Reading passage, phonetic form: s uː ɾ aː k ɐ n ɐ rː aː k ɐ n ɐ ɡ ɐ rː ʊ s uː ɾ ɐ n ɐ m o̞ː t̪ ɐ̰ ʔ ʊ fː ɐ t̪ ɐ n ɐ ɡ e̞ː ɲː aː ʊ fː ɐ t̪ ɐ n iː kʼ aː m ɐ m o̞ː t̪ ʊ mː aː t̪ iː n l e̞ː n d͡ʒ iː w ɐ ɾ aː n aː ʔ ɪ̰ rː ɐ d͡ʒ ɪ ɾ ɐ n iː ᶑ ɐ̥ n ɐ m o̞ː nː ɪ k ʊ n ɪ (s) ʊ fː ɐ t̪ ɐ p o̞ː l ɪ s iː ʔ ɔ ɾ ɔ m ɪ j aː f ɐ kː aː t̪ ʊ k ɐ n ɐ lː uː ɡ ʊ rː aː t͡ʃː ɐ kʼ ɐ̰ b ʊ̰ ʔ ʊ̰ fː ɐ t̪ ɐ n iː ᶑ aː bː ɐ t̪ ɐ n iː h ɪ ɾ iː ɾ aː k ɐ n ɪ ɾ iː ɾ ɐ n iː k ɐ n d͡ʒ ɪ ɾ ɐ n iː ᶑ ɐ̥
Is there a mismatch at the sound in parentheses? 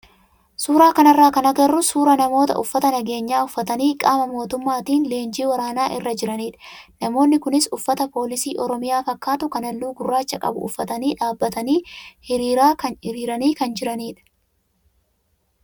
no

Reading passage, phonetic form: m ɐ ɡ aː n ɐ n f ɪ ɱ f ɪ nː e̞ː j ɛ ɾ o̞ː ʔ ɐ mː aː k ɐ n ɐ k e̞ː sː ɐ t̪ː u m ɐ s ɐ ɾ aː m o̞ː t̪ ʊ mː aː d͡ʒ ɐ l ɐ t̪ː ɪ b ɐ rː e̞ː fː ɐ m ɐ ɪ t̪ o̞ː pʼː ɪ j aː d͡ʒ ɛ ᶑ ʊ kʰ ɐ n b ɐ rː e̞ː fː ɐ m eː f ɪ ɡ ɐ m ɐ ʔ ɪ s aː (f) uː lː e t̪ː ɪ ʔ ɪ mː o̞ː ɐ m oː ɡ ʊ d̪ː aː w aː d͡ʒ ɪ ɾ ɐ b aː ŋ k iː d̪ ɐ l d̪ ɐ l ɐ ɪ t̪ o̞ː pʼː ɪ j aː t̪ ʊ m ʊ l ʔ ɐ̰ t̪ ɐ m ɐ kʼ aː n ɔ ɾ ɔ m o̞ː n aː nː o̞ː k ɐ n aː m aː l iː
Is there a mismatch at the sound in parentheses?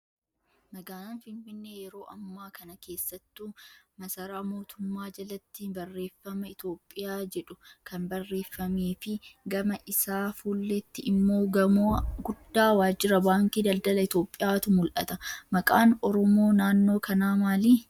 no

